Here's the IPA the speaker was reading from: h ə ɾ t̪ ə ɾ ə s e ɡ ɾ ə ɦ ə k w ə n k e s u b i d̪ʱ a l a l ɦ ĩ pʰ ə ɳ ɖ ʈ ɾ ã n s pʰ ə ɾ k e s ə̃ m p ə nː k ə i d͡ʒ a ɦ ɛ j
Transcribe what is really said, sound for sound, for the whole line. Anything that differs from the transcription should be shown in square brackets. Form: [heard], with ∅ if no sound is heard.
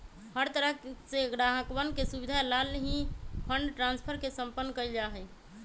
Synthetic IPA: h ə ɾ t̪ ə ɾ ə s e ɡ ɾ [a] ɦ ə k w ə n k e s u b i d̪ʱ a l a l ɦ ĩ pʰ ə ɳ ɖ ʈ ɾ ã n s pʰ ə ɾ k e s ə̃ m p ə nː k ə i d͡ʒ a ɦ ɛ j